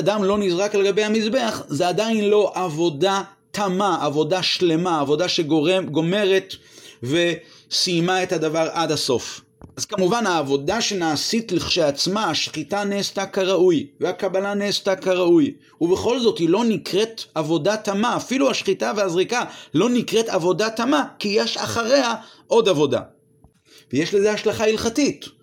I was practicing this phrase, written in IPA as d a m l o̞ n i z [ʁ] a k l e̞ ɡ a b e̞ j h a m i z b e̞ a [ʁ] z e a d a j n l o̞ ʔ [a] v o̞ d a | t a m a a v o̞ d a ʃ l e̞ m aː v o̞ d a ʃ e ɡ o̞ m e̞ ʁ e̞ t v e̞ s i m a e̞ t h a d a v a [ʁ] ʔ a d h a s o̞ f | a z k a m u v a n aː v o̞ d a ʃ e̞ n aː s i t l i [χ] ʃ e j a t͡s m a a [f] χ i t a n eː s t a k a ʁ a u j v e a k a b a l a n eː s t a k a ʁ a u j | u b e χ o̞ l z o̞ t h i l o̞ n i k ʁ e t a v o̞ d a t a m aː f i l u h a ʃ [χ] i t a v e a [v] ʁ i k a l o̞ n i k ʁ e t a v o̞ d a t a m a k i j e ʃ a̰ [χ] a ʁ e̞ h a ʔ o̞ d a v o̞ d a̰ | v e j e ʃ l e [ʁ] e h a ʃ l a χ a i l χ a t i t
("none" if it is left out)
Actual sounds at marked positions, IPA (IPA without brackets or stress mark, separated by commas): ʁ, χ, a, ʁ, χ, ʃ, χ, z, χ, z